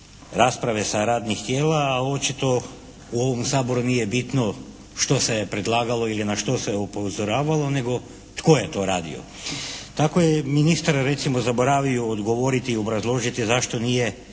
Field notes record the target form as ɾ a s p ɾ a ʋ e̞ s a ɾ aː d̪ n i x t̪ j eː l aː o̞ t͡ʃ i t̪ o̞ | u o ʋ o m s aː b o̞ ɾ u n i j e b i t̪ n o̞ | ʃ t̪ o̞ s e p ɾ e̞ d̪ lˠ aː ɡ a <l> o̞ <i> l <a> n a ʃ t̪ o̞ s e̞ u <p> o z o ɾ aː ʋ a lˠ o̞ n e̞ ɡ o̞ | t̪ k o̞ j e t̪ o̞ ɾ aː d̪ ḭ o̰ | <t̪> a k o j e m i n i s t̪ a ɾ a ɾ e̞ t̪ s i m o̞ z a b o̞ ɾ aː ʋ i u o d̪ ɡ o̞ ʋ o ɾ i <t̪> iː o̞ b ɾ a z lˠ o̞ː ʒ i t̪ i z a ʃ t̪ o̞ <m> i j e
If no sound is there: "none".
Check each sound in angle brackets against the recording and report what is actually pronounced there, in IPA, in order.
l, i, i, p, t̪, t̪, n

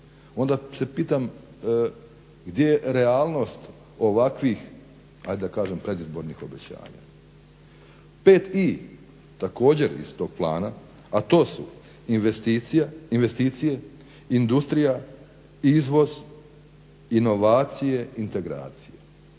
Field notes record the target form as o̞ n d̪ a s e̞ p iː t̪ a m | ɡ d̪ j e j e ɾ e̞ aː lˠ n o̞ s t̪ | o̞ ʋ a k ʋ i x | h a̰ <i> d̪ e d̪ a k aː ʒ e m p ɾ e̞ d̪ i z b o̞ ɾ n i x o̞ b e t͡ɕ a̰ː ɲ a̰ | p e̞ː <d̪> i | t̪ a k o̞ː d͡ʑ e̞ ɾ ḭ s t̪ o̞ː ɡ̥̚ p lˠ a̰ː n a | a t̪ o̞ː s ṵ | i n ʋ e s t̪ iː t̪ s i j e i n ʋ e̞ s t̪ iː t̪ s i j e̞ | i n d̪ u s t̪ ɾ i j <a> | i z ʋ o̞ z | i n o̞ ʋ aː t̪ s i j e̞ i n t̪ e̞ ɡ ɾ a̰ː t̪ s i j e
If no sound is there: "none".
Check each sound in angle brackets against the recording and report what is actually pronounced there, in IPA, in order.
j, t̪, a

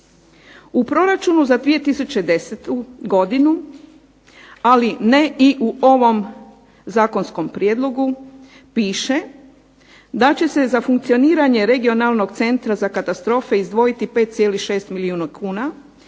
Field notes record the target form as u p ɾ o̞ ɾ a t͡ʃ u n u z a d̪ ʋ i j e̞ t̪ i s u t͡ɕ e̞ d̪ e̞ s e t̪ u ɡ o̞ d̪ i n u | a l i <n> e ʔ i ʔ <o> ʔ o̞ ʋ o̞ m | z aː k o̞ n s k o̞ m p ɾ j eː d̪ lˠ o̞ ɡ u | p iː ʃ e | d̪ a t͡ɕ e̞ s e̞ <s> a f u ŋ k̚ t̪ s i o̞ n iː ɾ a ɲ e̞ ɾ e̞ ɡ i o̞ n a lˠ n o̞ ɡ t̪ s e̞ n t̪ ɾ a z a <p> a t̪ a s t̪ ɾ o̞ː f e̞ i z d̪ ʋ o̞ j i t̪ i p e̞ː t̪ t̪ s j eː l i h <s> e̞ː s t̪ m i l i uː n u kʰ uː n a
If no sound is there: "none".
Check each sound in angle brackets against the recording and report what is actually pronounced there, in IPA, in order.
n, u, z, k, ʃ

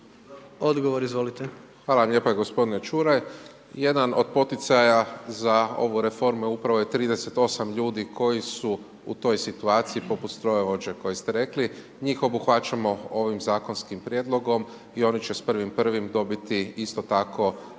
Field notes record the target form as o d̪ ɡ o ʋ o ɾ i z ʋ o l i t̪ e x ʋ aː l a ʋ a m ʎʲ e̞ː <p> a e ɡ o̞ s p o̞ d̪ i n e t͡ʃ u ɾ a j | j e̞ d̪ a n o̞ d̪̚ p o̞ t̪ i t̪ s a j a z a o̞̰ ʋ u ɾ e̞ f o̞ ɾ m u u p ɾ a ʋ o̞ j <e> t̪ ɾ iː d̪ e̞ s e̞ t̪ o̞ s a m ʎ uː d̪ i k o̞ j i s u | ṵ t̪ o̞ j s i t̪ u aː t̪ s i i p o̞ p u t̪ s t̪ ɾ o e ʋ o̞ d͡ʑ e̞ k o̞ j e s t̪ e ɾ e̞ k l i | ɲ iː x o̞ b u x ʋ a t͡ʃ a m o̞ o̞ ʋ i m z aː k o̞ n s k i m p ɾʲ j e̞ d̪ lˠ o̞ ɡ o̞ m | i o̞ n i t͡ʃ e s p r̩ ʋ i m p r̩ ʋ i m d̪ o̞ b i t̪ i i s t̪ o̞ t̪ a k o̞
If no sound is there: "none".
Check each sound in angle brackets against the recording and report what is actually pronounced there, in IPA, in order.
p, e

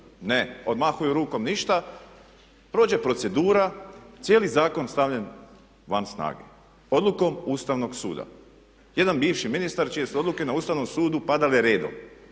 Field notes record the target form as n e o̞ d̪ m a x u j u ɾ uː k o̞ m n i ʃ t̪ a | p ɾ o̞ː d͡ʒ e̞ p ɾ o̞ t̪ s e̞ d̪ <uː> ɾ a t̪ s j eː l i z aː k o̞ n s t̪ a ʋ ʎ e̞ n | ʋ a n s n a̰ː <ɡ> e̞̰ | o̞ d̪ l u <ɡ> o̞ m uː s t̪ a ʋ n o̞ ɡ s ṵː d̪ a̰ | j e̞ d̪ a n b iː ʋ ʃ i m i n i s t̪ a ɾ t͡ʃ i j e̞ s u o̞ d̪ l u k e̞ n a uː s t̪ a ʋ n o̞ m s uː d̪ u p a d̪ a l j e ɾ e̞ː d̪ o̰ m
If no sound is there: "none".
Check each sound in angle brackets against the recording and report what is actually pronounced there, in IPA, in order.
uː, ɡ, k

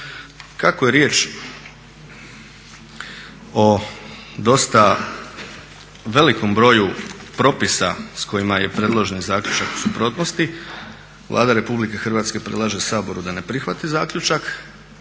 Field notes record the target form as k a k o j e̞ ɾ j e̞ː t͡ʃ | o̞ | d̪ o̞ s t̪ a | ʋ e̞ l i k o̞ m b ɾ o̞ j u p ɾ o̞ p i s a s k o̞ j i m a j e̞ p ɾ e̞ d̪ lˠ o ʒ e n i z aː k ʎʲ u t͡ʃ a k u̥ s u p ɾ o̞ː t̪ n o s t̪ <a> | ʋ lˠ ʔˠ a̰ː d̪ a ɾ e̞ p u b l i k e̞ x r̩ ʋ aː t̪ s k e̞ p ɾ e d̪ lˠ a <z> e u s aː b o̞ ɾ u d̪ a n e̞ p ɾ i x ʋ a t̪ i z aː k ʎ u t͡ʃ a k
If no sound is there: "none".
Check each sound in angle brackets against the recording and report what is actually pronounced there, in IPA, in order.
i, ʒ

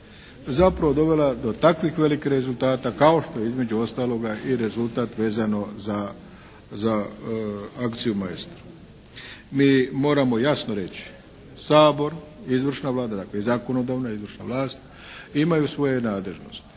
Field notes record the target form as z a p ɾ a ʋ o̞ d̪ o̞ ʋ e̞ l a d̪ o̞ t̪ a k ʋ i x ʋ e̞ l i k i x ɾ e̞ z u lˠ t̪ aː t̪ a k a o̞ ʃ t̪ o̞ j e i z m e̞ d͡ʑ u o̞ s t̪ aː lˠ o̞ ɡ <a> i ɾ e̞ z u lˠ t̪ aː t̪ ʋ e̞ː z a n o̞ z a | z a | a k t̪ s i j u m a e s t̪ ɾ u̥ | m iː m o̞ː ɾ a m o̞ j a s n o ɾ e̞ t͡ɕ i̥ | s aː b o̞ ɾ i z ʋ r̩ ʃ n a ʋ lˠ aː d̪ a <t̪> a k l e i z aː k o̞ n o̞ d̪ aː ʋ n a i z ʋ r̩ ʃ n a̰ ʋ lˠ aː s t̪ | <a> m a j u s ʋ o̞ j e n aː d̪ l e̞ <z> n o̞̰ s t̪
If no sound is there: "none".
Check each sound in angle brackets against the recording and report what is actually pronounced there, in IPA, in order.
a, d̪, i, ʒ

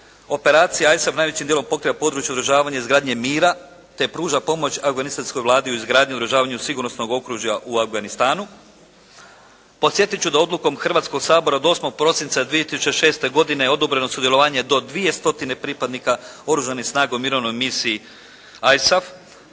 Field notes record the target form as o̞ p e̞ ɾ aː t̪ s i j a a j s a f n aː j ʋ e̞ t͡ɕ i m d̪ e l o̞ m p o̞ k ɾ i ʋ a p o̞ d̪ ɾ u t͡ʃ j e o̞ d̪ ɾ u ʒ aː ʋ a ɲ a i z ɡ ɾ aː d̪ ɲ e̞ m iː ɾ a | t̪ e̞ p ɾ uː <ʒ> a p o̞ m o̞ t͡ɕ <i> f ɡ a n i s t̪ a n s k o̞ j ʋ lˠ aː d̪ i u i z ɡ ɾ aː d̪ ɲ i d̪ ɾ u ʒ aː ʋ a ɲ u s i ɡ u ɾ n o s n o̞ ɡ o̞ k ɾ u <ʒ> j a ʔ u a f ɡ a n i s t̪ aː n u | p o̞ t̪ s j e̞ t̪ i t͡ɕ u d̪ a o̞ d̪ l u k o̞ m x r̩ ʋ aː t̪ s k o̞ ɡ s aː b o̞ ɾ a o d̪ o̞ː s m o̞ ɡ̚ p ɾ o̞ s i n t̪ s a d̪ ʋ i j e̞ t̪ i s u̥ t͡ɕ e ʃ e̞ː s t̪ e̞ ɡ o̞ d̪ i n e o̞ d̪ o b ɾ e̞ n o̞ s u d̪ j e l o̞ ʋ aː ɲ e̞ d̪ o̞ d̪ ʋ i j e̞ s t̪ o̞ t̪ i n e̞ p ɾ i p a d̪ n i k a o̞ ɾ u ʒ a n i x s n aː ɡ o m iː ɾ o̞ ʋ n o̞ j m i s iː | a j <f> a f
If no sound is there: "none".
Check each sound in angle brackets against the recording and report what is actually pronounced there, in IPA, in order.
ʒ, a, ʒ, s

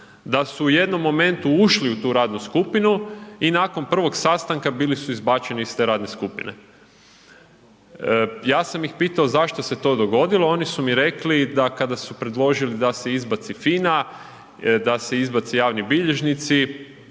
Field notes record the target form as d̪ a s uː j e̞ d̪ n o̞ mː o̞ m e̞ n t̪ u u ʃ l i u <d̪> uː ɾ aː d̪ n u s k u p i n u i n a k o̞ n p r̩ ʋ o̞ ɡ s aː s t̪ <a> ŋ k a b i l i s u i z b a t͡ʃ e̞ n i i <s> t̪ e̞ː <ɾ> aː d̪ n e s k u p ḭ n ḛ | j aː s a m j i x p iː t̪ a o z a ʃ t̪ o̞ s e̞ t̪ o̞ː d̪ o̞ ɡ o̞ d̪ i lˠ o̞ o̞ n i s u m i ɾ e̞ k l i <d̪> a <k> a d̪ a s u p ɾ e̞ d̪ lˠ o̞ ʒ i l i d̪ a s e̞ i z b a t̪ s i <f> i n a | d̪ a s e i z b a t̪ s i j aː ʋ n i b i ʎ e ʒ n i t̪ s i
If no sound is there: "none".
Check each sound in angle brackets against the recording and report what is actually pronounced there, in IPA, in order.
t̪, a, s, ɾ, d̪, k, f

